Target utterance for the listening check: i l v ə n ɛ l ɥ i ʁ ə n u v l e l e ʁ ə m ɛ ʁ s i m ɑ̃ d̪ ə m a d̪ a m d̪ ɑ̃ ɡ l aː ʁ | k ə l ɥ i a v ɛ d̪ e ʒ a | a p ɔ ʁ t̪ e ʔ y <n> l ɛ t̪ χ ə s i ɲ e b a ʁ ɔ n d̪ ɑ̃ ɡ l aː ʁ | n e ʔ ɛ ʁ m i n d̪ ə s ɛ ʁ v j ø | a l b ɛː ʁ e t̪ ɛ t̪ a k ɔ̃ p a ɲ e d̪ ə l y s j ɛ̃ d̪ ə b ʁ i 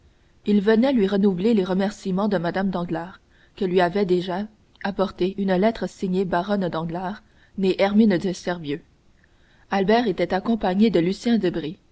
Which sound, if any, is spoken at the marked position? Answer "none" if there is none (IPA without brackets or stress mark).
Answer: n